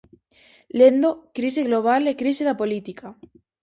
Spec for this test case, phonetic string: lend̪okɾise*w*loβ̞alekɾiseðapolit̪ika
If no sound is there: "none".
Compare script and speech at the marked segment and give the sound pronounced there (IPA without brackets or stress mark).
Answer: ɣ